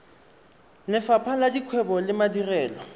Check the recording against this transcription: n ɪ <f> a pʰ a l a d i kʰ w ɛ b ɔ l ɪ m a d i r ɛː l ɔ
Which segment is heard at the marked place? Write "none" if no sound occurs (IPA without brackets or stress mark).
f